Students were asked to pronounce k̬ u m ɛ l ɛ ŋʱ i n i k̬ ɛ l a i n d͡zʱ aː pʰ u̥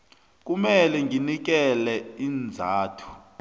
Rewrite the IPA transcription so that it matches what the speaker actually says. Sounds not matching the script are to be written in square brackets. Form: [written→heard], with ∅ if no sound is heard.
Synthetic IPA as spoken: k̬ u m ɛ l ɛ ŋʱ i n i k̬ ɛ l [a→ɛ] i n d͡zʱ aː [pʰ→tʰ] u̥